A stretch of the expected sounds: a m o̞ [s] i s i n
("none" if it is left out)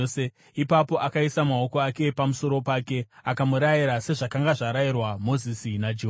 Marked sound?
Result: z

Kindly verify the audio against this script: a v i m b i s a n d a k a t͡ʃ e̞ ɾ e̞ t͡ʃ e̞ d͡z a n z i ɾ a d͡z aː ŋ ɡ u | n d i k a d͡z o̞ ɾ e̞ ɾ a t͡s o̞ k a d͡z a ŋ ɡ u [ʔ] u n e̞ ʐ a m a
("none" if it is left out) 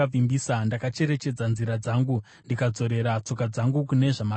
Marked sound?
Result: k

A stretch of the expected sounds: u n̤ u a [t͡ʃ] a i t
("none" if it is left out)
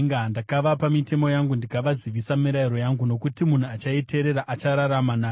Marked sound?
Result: t͡ʃ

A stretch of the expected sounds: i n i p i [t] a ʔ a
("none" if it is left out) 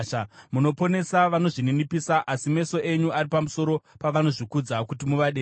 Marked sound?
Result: s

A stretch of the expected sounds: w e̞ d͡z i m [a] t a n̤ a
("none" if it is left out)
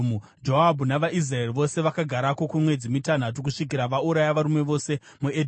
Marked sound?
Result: i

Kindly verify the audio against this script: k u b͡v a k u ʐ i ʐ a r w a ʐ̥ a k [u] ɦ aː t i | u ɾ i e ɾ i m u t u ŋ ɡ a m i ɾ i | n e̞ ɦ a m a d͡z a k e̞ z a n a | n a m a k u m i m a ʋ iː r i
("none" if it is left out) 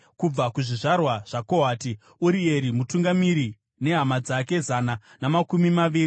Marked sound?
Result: o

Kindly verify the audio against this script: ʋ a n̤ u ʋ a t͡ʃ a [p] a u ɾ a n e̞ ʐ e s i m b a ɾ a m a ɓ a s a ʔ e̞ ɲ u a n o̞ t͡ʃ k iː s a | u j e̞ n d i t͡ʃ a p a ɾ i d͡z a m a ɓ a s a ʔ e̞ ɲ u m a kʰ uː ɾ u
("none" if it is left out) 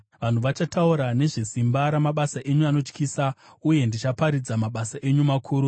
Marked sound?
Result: t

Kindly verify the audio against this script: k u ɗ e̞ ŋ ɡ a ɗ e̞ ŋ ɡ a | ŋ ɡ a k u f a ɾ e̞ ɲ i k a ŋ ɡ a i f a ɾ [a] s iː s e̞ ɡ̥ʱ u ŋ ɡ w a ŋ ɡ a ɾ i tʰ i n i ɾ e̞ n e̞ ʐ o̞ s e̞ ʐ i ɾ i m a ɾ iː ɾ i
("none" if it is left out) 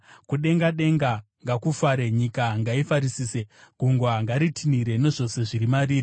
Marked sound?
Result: i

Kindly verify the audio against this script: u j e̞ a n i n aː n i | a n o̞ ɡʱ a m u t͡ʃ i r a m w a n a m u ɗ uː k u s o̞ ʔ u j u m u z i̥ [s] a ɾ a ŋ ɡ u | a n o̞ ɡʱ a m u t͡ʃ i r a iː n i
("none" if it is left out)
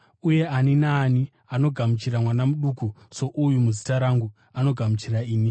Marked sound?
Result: t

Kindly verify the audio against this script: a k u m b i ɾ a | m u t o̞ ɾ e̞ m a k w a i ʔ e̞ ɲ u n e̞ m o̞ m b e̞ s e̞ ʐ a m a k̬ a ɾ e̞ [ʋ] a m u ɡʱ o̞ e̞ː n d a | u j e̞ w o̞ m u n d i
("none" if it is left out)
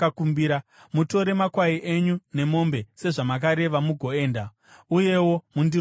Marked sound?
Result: ʋ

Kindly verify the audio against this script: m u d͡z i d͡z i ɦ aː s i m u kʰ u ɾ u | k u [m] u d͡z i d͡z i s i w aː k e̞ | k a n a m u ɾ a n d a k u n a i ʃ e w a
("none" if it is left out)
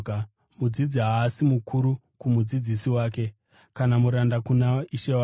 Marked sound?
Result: m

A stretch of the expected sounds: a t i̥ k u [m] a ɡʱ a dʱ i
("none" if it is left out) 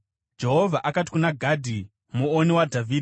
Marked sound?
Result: n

